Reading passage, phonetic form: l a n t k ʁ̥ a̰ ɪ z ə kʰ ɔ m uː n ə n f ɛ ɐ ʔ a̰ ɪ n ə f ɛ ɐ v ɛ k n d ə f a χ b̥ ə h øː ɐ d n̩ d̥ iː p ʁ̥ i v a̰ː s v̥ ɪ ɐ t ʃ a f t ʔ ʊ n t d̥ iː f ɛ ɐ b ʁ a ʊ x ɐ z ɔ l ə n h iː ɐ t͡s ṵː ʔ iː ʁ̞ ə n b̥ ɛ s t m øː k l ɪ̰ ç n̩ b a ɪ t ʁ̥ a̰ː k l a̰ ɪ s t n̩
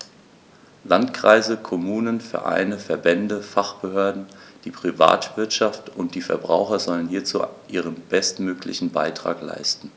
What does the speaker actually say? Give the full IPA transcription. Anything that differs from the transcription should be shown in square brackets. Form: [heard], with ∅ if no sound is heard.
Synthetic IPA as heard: l a n t k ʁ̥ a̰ ɪ z ə kʰ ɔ m uː n ə n f ɛ ɐ ʔ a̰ ɪ n ə f ɛ ɐ [b] ɛ [∅] n d ə f a χ b̥ ə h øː ɐ d n̩ d̥ iː p ʁ̥ i v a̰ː [t] v̥ ɪ ɐ t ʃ a f t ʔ ʊ n t d̥ iː f ɛ ɐ b ʁ a ʊ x ɐ z ɔ l ə n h iː ɐ t͡s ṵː ʔ iː ʁ̞ ə n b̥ ɛ s t m øː k l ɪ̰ ç n̩ b a ɪ t ʁ̥ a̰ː k l a̰ ɪ s t n̩